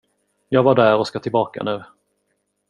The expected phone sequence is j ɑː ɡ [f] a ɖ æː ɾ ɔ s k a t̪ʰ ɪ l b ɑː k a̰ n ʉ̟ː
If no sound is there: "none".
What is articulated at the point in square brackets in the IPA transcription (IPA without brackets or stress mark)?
v